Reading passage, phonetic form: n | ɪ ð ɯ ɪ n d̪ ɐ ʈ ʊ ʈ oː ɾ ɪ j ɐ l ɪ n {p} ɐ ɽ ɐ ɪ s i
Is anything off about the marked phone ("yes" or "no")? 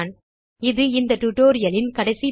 yes